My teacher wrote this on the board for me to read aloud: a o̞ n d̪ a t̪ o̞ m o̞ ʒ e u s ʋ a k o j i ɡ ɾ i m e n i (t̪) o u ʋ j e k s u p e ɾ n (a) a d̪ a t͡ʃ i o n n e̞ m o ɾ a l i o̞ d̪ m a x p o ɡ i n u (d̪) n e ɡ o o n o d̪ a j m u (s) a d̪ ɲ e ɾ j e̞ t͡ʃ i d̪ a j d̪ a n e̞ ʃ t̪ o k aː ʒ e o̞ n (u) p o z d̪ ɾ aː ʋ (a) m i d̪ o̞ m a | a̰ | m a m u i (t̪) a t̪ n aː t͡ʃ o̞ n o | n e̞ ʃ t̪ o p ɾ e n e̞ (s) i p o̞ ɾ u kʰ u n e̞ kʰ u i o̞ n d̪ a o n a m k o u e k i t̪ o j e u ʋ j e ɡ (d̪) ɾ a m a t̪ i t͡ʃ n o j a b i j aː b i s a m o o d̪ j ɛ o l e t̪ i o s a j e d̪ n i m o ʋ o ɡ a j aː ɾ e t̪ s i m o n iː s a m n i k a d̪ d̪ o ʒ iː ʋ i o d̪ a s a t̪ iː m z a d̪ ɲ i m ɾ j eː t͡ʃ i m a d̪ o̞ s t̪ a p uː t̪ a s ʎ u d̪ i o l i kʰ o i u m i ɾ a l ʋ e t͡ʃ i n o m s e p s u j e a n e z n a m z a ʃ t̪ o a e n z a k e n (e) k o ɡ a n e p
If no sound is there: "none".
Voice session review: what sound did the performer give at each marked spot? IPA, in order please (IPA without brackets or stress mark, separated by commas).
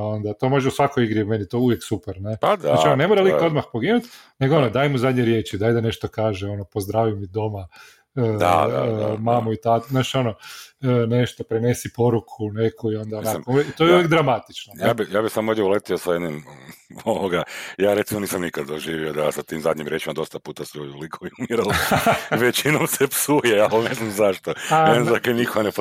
t̪, e, t̪, z, o, i, t̪, s, d̪, i